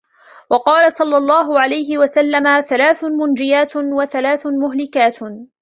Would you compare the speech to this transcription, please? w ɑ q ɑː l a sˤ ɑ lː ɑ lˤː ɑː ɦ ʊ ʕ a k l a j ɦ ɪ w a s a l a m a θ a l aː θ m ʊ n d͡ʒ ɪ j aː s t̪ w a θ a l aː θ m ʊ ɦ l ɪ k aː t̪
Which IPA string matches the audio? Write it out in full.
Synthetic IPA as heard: w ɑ q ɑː l a sˤ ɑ lː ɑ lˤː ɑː ɦ ʊ ʕ a l a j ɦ ɪ w a s a lː a m a θ a l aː θ m ʊ n d͡ʒ ɪ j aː t̪ w a θ a l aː θ m ʊ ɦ l ɪ k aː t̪